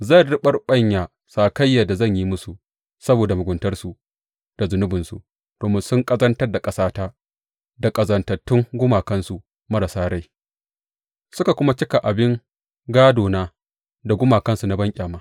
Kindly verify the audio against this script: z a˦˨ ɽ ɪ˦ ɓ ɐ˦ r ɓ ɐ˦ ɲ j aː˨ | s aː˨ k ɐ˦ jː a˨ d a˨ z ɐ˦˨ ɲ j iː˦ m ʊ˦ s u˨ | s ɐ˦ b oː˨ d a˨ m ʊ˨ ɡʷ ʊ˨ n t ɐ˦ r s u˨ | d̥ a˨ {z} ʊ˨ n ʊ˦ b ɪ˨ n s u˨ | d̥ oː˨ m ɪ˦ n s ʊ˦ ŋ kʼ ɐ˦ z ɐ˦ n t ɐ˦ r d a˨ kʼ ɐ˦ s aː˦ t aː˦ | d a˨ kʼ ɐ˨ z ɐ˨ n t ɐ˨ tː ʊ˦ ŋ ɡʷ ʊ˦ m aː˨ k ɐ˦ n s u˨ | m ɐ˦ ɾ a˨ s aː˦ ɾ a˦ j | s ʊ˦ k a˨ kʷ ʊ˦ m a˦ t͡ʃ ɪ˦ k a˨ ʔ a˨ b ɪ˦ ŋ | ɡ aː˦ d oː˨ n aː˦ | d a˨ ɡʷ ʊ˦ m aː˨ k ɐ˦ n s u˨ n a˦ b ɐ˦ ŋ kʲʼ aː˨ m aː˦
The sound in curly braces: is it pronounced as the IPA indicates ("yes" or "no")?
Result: yes